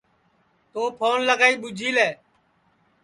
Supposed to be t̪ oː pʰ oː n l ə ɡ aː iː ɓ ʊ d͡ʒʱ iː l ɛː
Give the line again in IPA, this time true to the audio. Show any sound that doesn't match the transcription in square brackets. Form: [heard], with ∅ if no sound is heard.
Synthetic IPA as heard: t̪ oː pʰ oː n l ə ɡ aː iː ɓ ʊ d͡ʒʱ iː l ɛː